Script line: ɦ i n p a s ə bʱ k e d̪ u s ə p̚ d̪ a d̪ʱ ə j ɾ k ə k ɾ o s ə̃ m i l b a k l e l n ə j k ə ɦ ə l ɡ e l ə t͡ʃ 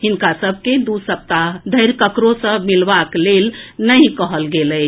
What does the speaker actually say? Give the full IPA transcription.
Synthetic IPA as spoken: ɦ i n k a s ə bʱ k e d̪ u s ə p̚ t̪ a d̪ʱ ə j ɾ k ə k ɾ o s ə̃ m i l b a k l e l n ə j k ə ɦ ə l ɡ e l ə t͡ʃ

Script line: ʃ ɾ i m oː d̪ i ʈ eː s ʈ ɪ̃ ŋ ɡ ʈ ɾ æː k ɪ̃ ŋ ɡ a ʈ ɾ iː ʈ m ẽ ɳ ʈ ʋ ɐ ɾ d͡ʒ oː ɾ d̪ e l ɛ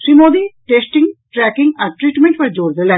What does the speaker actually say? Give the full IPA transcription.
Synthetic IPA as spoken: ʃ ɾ i m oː d̪ i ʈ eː s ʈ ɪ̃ ŋ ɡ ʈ ɾ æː k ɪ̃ ŋ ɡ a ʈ ɾ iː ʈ m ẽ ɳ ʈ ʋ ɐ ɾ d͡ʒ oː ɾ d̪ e l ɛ

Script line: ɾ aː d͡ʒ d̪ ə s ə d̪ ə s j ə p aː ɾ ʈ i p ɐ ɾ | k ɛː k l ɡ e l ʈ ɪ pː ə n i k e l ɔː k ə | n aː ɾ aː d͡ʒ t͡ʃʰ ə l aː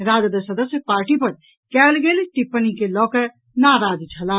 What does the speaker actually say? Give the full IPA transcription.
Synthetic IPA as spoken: ɾ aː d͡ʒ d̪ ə s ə d̪ ə s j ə p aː ɾ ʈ i p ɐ ɾ | k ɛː l ɡ e l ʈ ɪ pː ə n i k e l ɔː k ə | n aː ɾ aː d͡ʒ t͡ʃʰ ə l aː

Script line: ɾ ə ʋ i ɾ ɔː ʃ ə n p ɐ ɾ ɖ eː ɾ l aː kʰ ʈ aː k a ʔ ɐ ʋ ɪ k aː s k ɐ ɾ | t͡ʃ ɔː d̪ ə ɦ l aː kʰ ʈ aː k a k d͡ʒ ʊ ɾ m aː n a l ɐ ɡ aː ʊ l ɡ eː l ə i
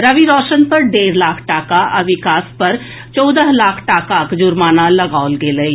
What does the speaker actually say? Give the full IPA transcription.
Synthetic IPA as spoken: ɾ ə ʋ i ɾ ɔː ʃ ə n p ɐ ɾ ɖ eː ɾ l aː kʰ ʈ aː k a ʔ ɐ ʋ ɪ k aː s p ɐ ɾ | t͡ʃ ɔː d̪ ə ɦ l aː kʰ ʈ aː k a k d͡ʒ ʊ ɾ m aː n a l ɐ ɡ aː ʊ l ɡ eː l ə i

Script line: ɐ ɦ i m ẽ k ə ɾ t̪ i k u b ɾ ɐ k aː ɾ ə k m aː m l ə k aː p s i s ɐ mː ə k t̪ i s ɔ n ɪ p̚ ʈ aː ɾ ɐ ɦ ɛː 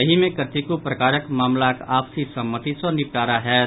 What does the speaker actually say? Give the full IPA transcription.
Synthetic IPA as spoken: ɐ ɦ i m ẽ k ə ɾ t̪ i k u p ɾ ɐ k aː ɾ ə k m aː m l a k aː p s i s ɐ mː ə t̪ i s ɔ n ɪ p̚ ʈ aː ɾ a ɦ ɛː

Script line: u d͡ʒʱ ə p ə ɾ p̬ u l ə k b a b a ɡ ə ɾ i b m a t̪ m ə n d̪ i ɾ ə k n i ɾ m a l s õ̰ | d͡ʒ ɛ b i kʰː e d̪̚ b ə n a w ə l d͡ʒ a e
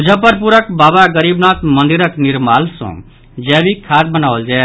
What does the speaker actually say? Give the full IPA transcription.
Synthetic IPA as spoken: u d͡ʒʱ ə p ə ɾ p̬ u ɾ ə k b a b a ɡ ə ɾ i b n a t̪ m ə n d̪ i ɾ ə k n i ɾ m a l s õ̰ | d͡ʒ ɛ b i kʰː a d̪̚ b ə n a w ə l d͡ʒ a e

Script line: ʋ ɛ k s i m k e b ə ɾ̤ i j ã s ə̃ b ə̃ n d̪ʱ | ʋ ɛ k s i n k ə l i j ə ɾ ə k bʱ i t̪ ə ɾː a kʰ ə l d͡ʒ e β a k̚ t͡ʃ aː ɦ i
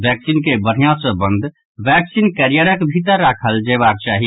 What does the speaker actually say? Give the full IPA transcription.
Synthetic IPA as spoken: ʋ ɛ k s i n k e b ə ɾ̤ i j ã s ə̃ b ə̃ n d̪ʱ | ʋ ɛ k s i n k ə ɾ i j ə ɾ ə k bʱ i t̪ ə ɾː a kʰ ə l d͡ʒ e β a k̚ t͡ʃ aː ɦ i

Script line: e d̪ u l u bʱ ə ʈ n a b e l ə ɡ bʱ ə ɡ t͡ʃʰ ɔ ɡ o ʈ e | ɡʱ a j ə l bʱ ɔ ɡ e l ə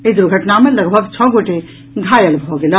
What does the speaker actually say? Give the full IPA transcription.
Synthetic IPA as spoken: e d̪ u ɾ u ɡʱ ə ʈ n a m e l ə ɡ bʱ ə ɡ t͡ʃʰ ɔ ɡ o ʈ e | ɡʱ a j ə l bʱ ɔ ɡ e l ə

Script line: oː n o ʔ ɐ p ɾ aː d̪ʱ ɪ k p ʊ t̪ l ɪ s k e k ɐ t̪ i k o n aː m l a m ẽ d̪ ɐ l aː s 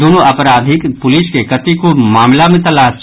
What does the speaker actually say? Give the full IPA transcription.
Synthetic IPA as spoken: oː n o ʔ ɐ p ɾ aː d̪ʱ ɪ k p ʊ l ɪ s k e k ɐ t̪ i k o m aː m l a m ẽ t̪ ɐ l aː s

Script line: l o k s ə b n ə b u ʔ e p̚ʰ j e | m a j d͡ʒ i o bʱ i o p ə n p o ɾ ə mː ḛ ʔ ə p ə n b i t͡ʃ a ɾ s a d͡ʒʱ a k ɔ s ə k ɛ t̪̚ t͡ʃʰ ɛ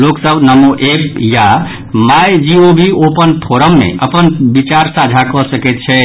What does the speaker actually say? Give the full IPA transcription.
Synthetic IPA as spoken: l o k s ə b n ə m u ʔ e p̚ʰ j a | m a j d͡ʒ i o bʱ i o p ə n pʰ o ɾ ə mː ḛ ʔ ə p ə n b i t͡ʃ a ɾ s a d͡ʒʱ a k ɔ s ə k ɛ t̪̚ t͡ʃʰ ɛ

